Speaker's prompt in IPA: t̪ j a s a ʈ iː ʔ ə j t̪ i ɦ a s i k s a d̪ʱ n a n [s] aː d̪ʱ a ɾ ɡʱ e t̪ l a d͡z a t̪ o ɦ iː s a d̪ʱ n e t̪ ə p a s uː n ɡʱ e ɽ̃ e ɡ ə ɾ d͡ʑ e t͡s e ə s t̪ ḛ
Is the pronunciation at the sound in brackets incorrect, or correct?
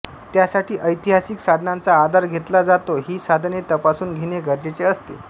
incorrect